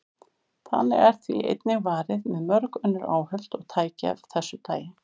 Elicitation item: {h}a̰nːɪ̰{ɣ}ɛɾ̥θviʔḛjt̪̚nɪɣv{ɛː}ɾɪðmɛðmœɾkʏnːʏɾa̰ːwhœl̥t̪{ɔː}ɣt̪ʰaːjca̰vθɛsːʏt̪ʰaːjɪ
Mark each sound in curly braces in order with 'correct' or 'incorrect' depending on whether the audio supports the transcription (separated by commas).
incorrect, correct, incorrect, incorrect